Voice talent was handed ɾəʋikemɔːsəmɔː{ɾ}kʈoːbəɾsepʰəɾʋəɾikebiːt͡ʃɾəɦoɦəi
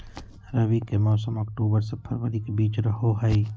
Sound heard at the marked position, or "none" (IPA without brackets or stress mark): none